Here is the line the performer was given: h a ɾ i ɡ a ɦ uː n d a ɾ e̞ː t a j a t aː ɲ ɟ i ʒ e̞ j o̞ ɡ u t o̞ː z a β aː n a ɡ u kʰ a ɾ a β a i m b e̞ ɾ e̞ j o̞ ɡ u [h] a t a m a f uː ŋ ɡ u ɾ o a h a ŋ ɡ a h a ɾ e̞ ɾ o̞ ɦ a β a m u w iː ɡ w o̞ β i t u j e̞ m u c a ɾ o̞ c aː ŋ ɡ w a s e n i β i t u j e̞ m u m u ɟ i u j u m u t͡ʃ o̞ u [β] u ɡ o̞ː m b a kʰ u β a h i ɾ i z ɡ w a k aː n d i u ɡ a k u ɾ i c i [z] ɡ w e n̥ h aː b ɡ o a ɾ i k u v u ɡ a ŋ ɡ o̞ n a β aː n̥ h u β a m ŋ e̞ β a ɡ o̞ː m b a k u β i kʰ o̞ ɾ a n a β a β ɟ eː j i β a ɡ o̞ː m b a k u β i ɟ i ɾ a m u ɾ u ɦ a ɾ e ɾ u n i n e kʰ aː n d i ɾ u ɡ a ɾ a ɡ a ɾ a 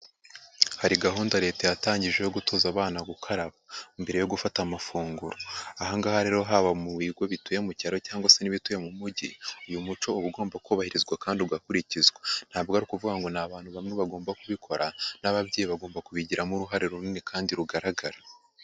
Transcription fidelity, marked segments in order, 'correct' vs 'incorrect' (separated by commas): incorrect, correct, correct